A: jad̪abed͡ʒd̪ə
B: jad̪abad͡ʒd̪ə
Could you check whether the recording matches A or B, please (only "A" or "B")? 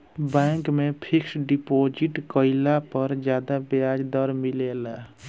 B